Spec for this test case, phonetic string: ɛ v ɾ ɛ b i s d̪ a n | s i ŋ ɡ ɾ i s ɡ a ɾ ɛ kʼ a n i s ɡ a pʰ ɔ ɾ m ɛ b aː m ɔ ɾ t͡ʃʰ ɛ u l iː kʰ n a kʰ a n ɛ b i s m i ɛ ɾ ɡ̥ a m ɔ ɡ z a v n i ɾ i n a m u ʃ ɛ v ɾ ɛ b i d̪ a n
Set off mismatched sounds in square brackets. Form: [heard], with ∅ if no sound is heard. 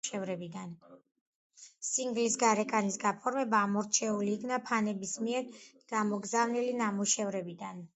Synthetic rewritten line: ɛ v ɾ ɛ b i [∅] d̪ a n | s i ŋ ɡ [l] i s ɡ a ɾ ɛ kʼ a n i s ɡ a pʰ ɔ ɾ m ɛ b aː m ɔ ɾ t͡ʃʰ ɛ u l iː kʰ n a [pʰ] a n ɛ b i s m i ɛ ɾ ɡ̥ a m ɔ ɡ z a v n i [l] i n a m u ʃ ɛ v ɾ ɛ b i d̪ a n

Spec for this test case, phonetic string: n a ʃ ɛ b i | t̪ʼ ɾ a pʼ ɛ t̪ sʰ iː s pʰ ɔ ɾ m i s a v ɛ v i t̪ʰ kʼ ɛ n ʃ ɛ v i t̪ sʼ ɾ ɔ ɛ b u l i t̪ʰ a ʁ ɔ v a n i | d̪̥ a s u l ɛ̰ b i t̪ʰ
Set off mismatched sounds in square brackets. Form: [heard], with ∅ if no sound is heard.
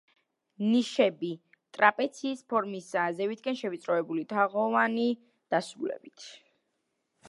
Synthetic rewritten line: n [i] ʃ ɛ b i | t̪ʼ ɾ a pʼ ɛ t̪ sʰ iː s pʰ ɔ ɾ m i s a [z] ɛ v i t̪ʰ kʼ ɛ n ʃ ɛ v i t̪ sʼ ɾ ɔ ɛ b u l i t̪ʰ a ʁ ɔ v a n i | d̪̥ a s u l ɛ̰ b i t̪ʰ

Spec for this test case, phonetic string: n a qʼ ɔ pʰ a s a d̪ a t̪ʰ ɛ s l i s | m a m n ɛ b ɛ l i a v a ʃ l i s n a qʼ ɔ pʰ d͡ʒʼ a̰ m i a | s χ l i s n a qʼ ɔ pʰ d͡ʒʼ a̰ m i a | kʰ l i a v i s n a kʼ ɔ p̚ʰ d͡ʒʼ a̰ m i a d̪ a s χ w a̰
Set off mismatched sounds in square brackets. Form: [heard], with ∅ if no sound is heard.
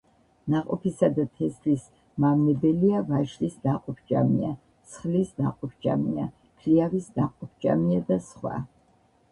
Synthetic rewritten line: n a qʼ ɔ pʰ [i] s a d̪ a t̪ʰ ɛ s l i s | m a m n ɛ b ɛ l i a v a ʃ l i s n a qʼ ɔ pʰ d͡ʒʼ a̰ m i a | s χ l i s n a qʼ ɔ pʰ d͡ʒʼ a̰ m i a | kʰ l i a v i s n a [qʼ] ɔ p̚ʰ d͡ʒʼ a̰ m i a d̪ a s χ w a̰

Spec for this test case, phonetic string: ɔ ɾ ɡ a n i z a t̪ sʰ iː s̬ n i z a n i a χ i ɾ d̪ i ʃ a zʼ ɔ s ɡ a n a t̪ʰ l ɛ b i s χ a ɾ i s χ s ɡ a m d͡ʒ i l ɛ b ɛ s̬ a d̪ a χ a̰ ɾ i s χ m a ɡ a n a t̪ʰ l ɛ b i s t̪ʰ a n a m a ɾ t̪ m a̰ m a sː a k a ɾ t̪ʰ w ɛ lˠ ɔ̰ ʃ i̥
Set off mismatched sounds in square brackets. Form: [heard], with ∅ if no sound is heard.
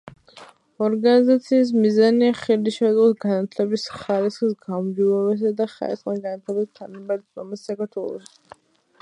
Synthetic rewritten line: ɔ ɾ ɡ a n i z a t̪ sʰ iː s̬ [m] i z a n i a χ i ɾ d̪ i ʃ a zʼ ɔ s ɡ a n a t̪ʰ l ɛ b i s χ a ɾ i s χ s ɡ a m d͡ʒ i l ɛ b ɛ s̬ a d̪ a χ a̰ ɾ i s χ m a ɡ a n a t̪ʰ l ɛ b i s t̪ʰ a n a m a ɾ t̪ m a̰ m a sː a k a ɾ t̪ʰ w ɛ lˠ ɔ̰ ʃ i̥

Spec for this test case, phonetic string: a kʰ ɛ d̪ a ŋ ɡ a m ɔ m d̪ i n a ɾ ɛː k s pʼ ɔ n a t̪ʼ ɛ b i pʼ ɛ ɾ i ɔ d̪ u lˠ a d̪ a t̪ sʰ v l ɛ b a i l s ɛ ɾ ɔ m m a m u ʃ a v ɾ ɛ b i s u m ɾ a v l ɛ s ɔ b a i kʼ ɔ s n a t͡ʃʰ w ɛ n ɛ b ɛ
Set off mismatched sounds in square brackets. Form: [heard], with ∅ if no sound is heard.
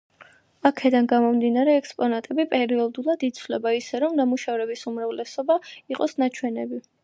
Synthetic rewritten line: a kʰ ɛ d̪ a [n] ɡ a m ɔ m d̪ i n a ɾ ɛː k s pʼ ɔ n a t̪ʼ ɛ b i pʼ ɛ ɾ i ɔ d̪ u lˠ a d̪ [i] t̪ sʰ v l ɛ b a i [∅] s ɛ ɾ ɔ m [n] a m u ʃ a v ɾ ɛ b i s u m ɾ a v l ɛ s ɔ b a i [qʼ] ɔ s n a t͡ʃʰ w ɛ n ɛ b [i]

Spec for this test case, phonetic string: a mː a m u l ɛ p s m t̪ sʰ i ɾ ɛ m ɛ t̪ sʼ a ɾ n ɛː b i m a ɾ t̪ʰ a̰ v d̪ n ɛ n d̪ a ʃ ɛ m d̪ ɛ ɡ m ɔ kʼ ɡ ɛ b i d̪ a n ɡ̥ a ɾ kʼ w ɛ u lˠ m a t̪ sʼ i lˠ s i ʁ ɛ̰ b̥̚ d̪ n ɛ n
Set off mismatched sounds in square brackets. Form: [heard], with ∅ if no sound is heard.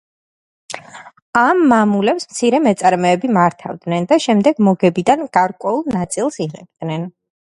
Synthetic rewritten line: a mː a m u l ɛ p s m t̪ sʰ i ɾ ɛ m ɛ t̪ sʼ a ɾ [m] ɛː b i m a ɾ t̪ʰ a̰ v d̪ n ɛ n d̪ a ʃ ɛ m d̪ ɛ ɡ m ɔ [∅] ɡ ɛ b i d̪ a n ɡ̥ a ɾ kʼ w ɛ u lˠ [n] a t̪ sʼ i lˠ s i ʁ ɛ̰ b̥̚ d̪ n ɛ n

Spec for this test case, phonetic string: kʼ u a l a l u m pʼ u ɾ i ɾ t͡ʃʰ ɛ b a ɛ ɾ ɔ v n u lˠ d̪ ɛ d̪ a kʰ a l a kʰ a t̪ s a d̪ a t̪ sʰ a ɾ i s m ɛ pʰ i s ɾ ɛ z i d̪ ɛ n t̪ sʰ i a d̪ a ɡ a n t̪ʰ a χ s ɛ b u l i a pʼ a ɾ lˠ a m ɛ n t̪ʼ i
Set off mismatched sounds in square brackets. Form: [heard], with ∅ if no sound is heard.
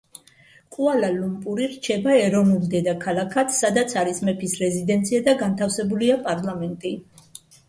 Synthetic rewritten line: kʼ u a l a l u m pʼ u ɾ i ɾ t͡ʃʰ ɛ b a ɛ ɾ ɔ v n u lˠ d̪ ɛ d̪ a kʰ a l a kʰ a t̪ s a d̪ a t̪ sʰ a ɾ i s m ɛ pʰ i s ɾ ɛ z i d̪ ɛ n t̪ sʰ i a d̪ a ɡ a n t̪ʰ a [f] s ɛ b u l i a pʼ a ɾ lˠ a m ɛ n t̪ʼ i

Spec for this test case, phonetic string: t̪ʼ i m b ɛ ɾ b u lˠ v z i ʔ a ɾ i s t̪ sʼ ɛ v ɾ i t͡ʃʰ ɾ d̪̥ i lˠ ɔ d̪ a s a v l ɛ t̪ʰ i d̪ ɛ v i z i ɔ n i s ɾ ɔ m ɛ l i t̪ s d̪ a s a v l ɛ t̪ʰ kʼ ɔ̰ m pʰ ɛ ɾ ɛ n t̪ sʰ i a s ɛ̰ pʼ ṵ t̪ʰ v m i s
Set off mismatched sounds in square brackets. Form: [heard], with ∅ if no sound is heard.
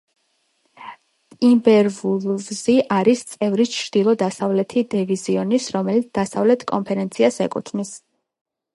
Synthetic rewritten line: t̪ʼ i m b ɛ ɾ [v] u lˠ v z i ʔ a ɾ i s t̪ sʼ ɛ v ɾ i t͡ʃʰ ɾ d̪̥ i lˠ ɔ d̪ a s a v l ɛ t̪ʰ i d̪ ɛ v i z i ɔ n i s ɾ ɔ m ɛ l i t̪ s d̪ a s a v l ɛ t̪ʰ kʼ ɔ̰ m pʰ ɛ ɾ ɛ n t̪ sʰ i a s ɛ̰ [kʼ] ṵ t̪ʰ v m i s

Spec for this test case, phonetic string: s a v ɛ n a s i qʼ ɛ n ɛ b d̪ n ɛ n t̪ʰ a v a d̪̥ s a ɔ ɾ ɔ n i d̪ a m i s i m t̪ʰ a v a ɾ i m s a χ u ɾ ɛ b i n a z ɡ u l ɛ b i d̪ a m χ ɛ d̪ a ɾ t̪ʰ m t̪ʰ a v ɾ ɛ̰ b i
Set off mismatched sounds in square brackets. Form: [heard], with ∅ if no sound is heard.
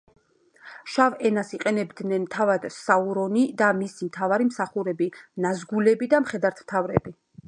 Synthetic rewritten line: [ʃ] a v ɛ n a s i qʼ ɛ n ɛ b d̪ n ɛ n t̪ʰ a v a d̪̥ s a [u] ɾ ɔ n i d̪ a m i s i m t̪ʰ a v a ɾ i m s a χ u ɾ ɛ b i n a z ɡ u l ɛ b i d̪ a m χ ɛ d̪ a ɾ t̪ʰ m t̪ʰ a v ɾ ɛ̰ b i

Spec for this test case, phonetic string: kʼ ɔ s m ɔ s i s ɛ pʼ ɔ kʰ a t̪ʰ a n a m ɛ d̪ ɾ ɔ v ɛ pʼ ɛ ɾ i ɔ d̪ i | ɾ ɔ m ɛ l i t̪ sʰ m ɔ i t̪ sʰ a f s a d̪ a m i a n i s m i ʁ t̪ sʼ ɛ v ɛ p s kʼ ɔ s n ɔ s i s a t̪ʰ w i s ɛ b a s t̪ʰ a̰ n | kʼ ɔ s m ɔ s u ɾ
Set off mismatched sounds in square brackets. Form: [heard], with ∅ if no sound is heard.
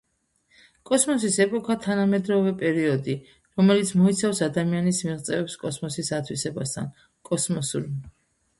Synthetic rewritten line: kʼ ɔ s m ɔ s i s ɛ pʼ ɔ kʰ a t̪ʰ a n a m ɛ d̪ ɾ ɔ v ɛ pʼ ɛ ɾ i ɔ d̪ i | ɾ ɔ m ɛ l i t̪ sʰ m ɔ i t̪ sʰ a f s a d̪ a m i a n i s m i ʁ t̪ sʼ ɛ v ɛ p s kʼ ɔ s [m] ɔ s i s a t̪ʰ w i s ɛ b a s t̪ʰ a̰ n | kʼ ɔ s m ɔ s u ɾ

